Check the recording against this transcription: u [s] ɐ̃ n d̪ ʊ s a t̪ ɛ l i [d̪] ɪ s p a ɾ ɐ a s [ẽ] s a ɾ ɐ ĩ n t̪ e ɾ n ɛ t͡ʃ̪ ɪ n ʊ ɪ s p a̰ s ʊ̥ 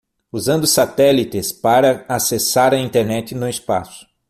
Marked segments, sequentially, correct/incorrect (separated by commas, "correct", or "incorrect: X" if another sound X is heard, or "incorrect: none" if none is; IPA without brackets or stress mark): incorrect: z, incorrect: t̪, incorrect: e